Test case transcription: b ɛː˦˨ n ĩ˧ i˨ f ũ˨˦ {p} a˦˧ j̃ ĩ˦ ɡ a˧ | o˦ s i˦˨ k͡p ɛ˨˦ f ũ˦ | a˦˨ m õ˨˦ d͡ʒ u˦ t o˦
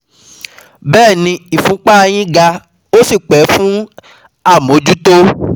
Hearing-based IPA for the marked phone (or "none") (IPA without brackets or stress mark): k͡p